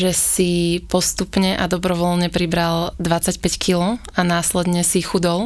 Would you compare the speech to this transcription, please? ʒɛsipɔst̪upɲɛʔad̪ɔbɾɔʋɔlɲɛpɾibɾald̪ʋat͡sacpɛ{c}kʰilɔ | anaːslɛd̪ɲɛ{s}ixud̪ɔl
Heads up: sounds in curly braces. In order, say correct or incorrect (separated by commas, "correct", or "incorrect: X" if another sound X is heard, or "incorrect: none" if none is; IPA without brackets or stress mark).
correct, correct